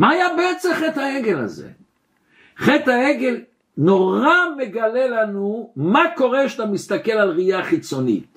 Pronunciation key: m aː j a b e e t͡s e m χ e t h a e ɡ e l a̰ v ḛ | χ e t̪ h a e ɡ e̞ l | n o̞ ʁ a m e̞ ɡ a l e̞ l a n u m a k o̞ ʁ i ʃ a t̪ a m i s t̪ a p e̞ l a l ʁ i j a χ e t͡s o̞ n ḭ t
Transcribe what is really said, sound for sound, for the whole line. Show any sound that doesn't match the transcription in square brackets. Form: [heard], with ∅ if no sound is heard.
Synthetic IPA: m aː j a b e e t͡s e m χ e t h a e ɡ e l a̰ [z] ḛ | χ e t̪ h a e ɡ e̞ l | n o̞ ʁ a m e̞ ɡ a l e̞ l a n u m a k o̞ ʁ [e] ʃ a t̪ a m i s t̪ a [k] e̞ l a l ʁ i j a χ [i] t͡s o̞ n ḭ t